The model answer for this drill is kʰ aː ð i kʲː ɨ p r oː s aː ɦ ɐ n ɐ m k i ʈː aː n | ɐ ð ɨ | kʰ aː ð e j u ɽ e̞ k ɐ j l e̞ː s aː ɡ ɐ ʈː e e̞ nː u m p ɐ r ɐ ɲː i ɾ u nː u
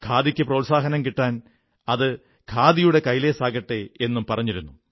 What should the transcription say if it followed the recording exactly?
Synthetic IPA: kʰ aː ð i kʲː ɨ p r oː s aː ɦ ɐ n ɐ m k i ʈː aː n | ɐ ð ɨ | kʰ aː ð i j u ɽ e̞ k ɐ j l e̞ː s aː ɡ ɐ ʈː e e̞ nː u m p ɐ r ɐ ɲː i ɾ u nː u